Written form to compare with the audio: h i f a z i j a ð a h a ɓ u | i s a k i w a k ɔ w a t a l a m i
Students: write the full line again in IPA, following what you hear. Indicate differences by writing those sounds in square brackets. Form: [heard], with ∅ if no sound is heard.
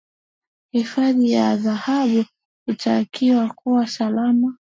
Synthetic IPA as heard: h i f a [ð] i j a ð a h a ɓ u | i [t] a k i w a k [u] w a [s] a l a m [a]